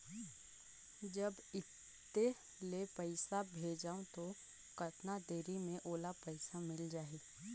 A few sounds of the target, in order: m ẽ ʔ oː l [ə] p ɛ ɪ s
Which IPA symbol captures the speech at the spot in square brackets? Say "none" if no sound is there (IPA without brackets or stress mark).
a